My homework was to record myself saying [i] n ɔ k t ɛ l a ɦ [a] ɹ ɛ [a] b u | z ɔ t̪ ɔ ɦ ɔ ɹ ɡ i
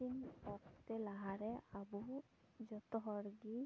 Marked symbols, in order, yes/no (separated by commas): yes, yes, yes